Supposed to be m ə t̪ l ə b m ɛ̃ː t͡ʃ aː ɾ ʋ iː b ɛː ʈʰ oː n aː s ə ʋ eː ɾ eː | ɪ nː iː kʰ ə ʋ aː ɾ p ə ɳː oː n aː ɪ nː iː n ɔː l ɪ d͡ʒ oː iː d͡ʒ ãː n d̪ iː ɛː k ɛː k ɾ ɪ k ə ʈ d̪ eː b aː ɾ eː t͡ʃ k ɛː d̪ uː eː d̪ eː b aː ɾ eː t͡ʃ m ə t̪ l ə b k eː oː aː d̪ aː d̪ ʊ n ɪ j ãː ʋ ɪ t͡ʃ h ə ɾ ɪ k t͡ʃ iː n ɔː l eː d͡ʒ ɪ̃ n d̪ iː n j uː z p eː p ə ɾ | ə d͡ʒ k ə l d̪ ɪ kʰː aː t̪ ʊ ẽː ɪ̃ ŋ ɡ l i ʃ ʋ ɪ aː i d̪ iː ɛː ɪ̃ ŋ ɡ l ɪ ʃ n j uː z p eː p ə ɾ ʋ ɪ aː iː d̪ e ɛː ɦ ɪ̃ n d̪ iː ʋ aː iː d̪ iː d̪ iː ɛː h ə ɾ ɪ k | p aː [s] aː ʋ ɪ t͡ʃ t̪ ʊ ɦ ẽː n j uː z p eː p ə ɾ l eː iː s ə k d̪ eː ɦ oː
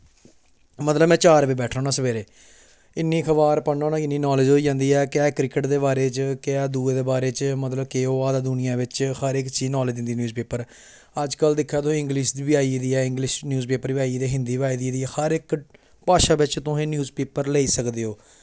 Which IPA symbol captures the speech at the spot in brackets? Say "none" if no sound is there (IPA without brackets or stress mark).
ʃ